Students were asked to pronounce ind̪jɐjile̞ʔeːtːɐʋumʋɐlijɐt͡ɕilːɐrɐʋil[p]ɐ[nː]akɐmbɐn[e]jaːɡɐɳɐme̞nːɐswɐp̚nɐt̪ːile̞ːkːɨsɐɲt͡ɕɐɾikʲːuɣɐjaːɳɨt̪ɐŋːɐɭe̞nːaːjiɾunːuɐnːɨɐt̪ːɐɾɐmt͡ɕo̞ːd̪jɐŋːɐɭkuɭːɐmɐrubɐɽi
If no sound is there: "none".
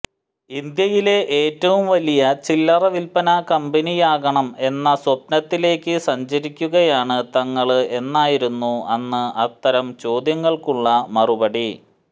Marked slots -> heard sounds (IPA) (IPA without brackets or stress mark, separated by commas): p, n, i